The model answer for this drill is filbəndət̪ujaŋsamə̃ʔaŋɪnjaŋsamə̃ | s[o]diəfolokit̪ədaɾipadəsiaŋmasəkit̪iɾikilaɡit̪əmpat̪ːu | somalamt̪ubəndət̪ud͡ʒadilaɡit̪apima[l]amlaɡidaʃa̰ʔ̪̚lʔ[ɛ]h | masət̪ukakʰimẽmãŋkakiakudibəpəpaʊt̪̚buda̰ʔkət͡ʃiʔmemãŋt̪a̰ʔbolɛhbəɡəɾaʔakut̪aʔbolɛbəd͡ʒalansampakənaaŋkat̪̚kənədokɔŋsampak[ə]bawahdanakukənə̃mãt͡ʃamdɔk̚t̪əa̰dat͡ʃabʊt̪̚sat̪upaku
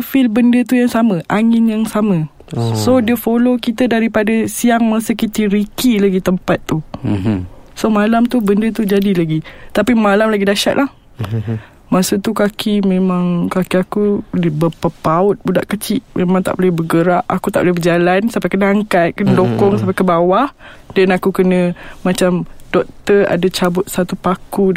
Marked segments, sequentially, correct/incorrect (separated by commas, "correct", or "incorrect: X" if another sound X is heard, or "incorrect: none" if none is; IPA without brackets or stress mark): correct, correct, incorrect: a, correct